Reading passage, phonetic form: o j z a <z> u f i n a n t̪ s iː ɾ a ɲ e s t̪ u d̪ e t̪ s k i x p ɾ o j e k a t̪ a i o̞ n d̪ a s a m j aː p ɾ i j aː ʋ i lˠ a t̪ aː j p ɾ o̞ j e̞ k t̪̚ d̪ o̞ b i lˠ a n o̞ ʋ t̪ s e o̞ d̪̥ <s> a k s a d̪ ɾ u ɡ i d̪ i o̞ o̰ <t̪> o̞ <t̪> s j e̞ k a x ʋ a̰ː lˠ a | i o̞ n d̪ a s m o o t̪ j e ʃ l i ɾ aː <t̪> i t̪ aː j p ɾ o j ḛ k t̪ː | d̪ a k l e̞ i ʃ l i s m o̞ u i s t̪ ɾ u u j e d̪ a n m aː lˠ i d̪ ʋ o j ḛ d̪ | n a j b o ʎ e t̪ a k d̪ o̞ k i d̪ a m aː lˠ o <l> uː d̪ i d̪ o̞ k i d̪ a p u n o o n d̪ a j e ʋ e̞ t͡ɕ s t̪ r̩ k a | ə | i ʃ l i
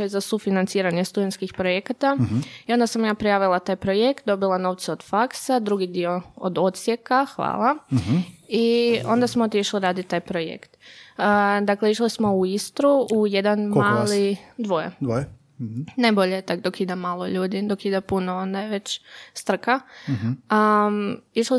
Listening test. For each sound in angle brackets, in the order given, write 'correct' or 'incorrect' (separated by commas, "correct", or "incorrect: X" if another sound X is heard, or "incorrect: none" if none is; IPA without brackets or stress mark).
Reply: incorrect: s, incorrect: f, incorrect: d̪, correct, incorrect: d̪, incorrect: ʎ